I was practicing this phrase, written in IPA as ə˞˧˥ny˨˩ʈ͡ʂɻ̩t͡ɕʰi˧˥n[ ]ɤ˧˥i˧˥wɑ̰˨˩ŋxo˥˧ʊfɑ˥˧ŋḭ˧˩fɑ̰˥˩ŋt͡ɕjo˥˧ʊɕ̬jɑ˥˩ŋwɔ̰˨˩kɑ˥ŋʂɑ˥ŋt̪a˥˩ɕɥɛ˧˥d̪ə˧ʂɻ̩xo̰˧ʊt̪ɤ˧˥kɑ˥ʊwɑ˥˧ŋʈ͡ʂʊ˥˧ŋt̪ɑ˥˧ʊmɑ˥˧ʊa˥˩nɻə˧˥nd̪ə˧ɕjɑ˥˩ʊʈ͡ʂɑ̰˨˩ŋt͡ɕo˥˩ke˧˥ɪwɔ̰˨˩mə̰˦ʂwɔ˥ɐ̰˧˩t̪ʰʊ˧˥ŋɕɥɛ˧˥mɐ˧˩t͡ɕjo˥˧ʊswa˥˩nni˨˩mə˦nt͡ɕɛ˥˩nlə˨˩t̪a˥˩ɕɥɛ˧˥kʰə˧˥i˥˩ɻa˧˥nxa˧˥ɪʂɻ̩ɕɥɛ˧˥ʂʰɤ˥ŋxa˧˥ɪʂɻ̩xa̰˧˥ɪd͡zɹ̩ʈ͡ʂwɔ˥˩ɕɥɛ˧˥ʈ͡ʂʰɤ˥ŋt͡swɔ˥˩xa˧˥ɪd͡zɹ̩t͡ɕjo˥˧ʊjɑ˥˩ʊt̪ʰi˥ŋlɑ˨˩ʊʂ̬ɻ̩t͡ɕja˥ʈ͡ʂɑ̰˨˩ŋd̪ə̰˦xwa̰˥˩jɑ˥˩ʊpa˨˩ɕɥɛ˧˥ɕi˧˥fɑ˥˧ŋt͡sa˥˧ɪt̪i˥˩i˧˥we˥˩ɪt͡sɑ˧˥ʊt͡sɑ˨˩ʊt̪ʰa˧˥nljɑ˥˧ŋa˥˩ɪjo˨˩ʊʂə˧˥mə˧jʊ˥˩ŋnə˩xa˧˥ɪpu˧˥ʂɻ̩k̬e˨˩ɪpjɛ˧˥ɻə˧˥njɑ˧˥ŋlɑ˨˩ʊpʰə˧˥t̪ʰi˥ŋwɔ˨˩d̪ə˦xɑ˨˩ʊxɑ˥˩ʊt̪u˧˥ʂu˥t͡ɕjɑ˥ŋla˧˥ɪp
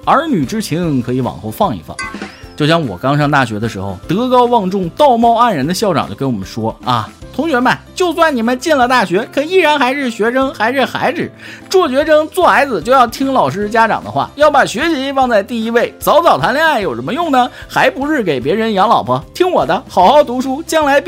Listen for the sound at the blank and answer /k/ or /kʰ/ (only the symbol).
kʰ